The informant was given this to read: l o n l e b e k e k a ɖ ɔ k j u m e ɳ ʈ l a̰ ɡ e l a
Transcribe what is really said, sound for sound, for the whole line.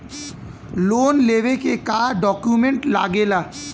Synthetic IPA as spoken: l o n l e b e k e k a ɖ ɔ k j u m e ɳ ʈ l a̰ ɡ e l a

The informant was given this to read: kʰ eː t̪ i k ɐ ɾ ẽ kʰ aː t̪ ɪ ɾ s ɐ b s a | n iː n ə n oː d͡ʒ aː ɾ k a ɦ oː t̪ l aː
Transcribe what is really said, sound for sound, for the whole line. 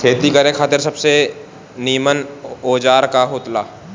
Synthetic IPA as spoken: kʰ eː t̪ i k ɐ ɾ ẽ kʰ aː t̪ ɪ ɾ s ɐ b s e | n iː m ə n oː d͡ʒ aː ɾ k a ɦ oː t̪ l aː

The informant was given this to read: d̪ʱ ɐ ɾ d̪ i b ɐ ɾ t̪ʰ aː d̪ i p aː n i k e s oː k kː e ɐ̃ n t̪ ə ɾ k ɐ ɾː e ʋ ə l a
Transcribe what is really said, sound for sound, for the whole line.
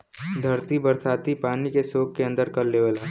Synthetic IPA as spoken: d̪ʱ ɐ ɾ t̪ i b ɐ ɾ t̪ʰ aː t̪ i p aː n i k e s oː k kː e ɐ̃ n d̪ ə ɾ k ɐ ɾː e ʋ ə l a

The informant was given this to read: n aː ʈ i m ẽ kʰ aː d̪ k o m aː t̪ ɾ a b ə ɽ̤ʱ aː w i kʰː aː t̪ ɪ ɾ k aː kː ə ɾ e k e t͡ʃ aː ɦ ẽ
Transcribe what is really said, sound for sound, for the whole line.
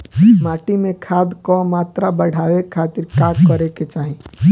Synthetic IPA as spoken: m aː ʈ i m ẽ kʰ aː d̪ k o m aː t̪ ɾ a b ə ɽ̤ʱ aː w e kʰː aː t̪ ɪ ɾ k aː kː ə ɾ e k e t͡ʃ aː ɦ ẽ

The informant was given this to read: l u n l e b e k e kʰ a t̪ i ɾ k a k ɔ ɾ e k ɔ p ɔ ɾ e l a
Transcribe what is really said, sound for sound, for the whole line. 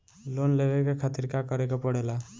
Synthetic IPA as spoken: l o n l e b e k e kʰ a t̪ i ɾ k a k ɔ ɾ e k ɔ p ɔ ɽ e l a

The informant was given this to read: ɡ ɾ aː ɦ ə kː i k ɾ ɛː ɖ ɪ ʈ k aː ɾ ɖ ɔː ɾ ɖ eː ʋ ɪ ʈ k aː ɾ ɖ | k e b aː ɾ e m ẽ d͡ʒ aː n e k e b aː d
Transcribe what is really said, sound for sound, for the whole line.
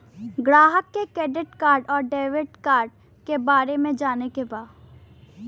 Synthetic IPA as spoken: ɡ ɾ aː ɦ ə kː e k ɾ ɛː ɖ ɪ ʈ k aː ɾ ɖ ɔː ɾ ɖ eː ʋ ɪ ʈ k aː ɾ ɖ | k e b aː ɾ e m ẽ d͡ʒ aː n e k e b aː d

